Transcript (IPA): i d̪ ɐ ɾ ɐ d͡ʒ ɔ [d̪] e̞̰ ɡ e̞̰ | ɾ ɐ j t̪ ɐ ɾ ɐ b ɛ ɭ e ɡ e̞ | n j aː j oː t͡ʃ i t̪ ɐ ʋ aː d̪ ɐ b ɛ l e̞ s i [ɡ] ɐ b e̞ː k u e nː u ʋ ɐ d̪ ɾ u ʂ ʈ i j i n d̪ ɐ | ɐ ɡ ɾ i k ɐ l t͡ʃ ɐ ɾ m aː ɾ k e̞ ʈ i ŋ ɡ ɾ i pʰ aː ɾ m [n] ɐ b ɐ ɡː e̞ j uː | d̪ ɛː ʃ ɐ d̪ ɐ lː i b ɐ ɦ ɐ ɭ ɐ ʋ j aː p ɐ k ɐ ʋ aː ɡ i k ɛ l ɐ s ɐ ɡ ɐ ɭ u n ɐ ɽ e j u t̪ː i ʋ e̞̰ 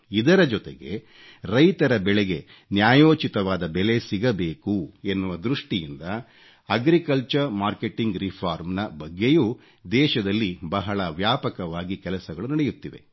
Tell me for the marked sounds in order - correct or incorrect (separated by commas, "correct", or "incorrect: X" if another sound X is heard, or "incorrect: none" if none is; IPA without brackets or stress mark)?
incorrect: t̪, correct, correct